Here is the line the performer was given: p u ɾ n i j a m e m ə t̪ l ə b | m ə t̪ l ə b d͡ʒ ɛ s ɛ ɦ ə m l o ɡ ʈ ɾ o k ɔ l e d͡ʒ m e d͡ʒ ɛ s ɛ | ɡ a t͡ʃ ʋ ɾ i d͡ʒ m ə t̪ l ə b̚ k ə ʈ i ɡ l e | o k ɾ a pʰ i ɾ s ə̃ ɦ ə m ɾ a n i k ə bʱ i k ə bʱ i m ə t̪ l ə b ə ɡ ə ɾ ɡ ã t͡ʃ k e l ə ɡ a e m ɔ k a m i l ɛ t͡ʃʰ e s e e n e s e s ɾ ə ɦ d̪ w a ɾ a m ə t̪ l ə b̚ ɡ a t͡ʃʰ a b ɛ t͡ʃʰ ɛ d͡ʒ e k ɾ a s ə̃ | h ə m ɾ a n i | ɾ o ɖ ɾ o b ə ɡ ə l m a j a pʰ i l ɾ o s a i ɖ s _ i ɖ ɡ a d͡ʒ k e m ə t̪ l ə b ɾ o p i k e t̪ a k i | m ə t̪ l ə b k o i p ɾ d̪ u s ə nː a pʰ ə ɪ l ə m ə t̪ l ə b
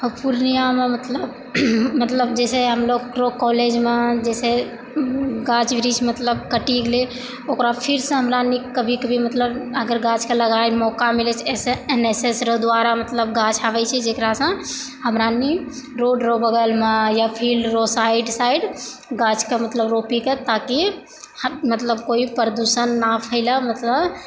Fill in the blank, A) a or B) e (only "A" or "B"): A